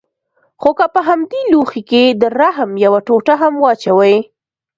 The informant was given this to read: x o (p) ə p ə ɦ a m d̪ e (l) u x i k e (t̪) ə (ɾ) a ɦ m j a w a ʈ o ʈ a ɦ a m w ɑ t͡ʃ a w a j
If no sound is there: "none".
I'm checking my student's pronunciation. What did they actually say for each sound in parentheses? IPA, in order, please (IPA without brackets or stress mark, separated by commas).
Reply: k, l, d̪, ɾ